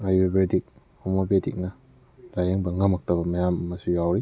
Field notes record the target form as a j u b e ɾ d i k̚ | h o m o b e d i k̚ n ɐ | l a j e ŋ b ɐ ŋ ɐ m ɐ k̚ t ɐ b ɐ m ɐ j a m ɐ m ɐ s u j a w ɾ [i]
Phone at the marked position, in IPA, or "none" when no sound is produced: i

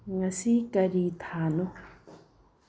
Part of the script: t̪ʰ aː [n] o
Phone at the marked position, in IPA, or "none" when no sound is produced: n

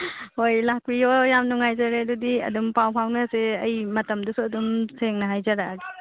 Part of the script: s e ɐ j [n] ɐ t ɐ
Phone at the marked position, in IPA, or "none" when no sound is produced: m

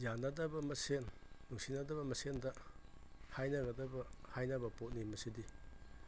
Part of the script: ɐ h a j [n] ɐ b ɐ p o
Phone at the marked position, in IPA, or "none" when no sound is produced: n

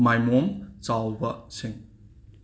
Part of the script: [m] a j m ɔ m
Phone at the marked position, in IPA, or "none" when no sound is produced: m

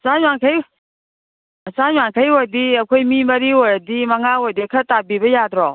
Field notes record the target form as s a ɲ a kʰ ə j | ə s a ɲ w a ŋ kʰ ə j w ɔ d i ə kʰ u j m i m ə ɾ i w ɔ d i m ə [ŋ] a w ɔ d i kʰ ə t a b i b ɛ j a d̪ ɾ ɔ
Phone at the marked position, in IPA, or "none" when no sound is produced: ŋ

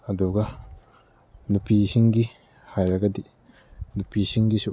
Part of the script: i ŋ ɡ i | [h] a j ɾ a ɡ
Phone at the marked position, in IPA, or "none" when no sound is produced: h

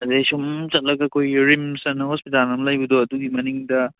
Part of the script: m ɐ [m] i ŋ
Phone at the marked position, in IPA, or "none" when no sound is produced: n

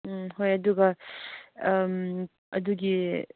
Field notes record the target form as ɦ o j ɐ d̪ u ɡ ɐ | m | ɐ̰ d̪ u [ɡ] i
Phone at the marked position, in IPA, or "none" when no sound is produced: ɡ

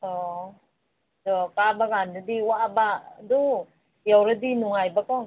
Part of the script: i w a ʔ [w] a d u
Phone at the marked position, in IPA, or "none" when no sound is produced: b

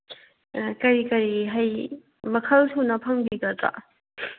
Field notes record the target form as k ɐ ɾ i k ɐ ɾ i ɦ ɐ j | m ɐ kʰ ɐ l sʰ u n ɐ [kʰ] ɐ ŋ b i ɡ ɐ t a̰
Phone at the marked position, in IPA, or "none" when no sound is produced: pʰ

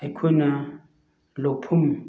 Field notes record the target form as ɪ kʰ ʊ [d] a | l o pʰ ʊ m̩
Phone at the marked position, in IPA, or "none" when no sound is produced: n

